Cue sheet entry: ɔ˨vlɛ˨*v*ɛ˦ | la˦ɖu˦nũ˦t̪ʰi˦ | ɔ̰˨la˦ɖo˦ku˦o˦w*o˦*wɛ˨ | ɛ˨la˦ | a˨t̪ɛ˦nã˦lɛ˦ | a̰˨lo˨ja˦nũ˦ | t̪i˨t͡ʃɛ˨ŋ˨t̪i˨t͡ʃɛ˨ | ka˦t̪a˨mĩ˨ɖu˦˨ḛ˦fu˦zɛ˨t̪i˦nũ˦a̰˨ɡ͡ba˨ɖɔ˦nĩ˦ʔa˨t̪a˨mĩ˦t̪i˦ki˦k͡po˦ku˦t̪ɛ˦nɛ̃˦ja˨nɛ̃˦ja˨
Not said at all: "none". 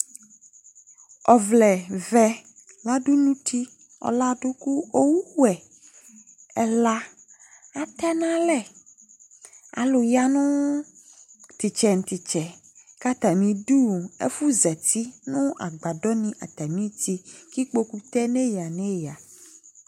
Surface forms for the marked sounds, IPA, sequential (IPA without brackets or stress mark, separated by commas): v, u˦